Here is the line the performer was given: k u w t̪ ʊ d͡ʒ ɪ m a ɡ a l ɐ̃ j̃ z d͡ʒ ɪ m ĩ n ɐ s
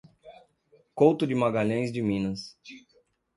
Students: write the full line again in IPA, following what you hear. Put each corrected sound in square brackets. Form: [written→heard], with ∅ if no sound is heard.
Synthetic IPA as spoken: k [u→o] w t̪ ʊ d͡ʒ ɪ m a ɡ a [l→ʎ] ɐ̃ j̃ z d͡ʒ ɪ m ĩ n ɐ s